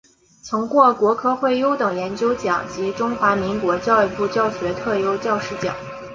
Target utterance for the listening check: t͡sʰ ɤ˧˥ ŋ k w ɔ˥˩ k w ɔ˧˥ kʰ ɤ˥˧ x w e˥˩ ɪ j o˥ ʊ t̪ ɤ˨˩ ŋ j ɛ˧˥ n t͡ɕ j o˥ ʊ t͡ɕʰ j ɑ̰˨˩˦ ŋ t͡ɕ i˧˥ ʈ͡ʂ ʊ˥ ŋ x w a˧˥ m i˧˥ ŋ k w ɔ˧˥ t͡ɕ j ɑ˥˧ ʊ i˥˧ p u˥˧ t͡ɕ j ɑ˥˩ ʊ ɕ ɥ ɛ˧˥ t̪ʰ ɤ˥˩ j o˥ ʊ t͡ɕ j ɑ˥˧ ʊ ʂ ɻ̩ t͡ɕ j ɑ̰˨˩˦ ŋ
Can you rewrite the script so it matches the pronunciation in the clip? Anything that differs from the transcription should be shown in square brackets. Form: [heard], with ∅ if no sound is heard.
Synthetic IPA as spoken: t͡sʰ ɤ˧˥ ŋ k w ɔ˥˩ k w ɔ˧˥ kʰ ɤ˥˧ x w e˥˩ ɪ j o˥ ʊ t̪ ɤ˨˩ ŋ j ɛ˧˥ n t͡ɕ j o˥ ʊ [t͡ɕ] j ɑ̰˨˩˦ ŋ t͡ɕ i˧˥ ʈ͡ʂ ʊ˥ ŋ x w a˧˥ m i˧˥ ŋ k w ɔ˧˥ t͡ɕ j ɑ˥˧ ʊ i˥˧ p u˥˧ t͡ɕ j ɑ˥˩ ʊ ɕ ɥ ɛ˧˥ t̪ʰ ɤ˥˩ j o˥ ʊ t͡ɕ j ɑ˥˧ ʊ ʂ ɻ̩ t͡ɕ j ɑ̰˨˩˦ ŋ